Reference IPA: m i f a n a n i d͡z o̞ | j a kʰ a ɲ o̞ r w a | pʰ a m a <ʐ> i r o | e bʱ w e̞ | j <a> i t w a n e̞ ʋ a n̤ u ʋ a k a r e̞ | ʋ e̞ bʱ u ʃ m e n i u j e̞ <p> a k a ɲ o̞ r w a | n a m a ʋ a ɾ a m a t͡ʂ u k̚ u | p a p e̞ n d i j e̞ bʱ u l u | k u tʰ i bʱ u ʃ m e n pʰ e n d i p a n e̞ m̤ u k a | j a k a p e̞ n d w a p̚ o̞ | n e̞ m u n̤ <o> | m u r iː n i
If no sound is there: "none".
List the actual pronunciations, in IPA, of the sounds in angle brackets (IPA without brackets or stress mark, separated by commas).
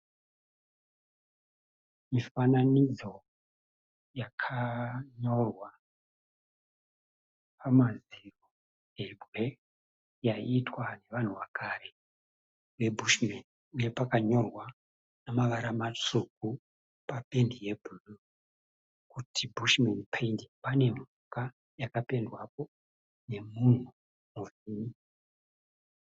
z, a, p, u